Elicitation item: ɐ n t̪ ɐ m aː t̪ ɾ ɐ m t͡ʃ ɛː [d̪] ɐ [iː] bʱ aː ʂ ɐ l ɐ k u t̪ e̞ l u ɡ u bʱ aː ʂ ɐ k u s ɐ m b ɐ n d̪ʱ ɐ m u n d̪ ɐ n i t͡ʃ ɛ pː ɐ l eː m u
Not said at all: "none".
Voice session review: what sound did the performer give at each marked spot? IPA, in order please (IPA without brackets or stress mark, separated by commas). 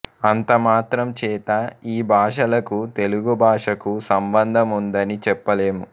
t̪, iː